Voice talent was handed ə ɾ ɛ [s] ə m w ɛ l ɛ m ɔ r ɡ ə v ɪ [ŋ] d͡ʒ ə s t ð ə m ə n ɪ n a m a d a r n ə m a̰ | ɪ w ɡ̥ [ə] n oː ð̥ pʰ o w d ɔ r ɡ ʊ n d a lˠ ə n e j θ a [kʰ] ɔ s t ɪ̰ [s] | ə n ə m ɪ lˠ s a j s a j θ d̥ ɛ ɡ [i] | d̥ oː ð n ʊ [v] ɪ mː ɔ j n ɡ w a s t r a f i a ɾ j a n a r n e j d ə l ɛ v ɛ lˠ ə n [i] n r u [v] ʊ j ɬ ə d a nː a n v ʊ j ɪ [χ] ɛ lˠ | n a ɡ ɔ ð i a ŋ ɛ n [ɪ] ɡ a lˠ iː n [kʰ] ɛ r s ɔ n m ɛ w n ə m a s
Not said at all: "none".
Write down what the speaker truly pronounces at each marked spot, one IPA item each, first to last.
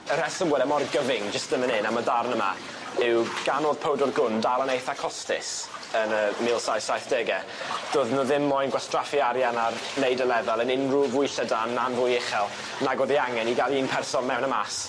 s, ŋ, a, kʰ, s, ɛ, ð, ɪ, v, χ, i, pʰ

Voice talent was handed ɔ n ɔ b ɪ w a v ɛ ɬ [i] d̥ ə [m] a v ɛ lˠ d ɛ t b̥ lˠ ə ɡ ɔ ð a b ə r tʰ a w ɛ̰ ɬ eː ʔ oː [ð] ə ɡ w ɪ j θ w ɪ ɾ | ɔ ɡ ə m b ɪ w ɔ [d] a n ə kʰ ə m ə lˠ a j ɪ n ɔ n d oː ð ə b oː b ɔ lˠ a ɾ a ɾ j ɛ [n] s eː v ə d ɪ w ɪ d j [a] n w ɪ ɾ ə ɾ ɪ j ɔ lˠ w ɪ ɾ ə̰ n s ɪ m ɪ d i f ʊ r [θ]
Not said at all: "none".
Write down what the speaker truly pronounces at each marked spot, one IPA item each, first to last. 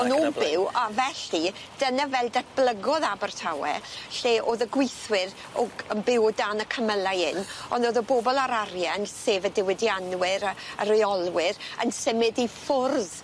i, n, ð, d, n, a, ð

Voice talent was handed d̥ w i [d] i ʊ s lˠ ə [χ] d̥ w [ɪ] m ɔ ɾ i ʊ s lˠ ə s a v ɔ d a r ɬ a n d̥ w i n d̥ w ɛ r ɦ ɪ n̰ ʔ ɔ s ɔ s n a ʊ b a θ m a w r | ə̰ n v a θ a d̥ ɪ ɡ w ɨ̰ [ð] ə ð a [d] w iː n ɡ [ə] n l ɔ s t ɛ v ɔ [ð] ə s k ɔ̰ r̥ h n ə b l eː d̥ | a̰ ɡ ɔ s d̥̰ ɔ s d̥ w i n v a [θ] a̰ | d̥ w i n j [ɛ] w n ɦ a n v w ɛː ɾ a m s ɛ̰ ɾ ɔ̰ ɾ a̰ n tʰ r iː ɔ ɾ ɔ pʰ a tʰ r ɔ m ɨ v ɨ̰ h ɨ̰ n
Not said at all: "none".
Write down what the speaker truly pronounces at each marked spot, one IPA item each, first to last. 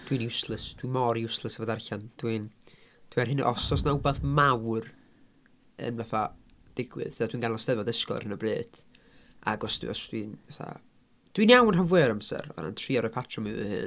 n, s, i, ð, d, a, ð, θ, a

